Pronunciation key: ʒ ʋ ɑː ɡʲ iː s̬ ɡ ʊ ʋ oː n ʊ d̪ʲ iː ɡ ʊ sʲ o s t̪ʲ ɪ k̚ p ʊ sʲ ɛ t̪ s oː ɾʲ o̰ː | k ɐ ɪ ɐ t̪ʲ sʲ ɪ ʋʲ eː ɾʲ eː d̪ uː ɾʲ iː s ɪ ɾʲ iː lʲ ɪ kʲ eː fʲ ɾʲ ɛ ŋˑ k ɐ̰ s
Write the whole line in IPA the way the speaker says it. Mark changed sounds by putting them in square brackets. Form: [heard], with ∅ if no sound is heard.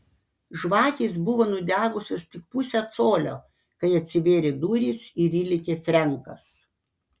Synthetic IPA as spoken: ʒ ʋ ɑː [kʲ] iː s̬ [b] ʊ ʋ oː n ʊ d̪ʲ [æː] ɡ ʊ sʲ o s t̪ʲ ɪ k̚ p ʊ sʲ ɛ t̪ s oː [lʲ] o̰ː | k ɐ ɪ ɐ t̪ʲ sʲ ɪ ʋʲ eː ɾʲ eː d̪ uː ɾʲ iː s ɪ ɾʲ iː lʲ ɪ kʲ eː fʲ ɾʲ ɛ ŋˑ k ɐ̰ s